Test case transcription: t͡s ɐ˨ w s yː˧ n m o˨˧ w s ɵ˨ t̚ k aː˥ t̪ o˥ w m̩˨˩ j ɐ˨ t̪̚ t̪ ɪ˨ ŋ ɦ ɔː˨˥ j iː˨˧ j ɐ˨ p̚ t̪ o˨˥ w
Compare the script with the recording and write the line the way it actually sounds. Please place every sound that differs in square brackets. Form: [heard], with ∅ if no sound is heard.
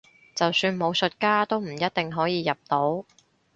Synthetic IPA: t͡s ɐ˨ w s yː˧ n m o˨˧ w s ɵ˨ t̚ k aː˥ t̪ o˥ w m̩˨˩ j [ɐ˥] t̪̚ t̪ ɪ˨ ŋ ɦ ɔː˨˥ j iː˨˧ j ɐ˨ p̚ t̪ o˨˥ w